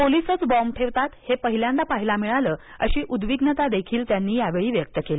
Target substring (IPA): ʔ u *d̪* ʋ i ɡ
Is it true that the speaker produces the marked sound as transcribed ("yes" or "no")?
yes